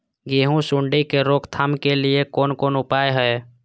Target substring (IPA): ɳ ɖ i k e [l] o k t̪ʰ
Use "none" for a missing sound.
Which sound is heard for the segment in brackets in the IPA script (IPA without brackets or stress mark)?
ɾ